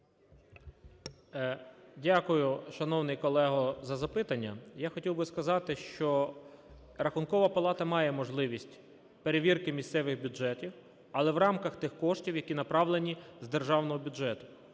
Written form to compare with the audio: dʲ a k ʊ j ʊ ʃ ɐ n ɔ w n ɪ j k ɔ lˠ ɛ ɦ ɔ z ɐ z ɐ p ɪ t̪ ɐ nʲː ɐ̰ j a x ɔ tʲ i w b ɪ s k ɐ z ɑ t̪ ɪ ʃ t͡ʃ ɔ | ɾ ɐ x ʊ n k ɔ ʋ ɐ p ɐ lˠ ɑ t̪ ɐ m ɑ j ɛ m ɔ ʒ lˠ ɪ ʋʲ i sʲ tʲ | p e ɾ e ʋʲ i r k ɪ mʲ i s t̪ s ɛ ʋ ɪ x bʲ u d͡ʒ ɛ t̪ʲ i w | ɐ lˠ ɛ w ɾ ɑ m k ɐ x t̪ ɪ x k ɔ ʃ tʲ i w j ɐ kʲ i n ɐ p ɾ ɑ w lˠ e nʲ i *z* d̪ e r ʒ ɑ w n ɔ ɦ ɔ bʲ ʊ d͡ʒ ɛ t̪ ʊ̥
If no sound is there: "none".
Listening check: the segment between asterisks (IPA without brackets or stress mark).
z